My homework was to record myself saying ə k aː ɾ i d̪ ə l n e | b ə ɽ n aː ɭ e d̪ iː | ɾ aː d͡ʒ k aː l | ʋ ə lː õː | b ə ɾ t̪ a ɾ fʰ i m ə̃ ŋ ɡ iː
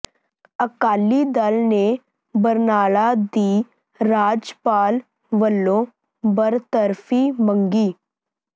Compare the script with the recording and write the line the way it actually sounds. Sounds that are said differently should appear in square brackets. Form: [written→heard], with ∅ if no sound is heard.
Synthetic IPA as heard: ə k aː [ɾ→l] i d̪ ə l n e | b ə [ɽ→ɾ] n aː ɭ [e→a] d̪ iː | ɾ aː d͡ʒ [k→p] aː l | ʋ ə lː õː | b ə ɾ t̪ [a→ə] ɾ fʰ i m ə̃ ŋ ɡ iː